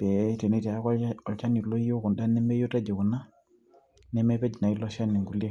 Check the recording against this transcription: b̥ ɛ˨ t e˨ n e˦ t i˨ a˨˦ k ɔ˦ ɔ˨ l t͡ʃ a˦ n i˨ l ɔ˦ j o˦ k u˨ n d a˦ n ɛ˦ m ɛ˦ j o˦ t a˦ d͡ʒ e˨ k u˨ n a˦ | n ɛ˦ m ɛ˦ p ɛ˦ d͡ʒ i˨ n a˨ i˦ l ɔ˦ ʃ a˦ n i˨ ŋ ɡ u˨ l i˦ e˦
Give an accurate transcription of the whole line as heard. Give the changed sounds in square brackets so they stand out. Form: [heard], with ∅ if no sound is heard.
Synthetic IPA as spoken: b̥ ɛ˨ t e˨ n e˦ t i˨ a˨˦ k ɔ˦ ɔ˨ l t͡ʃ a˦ n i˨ l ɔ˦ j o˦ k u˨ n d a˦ n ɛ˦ m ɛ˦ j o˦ t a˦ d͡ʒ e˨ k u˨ n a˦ | n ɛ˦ m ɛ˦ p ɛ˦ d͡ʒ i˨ n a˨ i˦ l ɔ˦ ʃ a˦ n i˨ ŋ ɡ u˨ l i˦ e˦